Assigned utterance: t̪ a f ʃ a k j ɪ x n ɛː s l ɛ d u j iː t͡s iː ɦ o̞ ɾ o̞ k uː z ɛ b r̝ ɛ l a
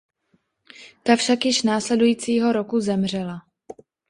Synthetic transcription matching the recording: t̪ a f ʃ a k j ɪ ʃ n aː s l ɛ d u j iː t͡s iː ɦ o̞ ɾ o̞ k u z ɛ m r̝ ɛ l a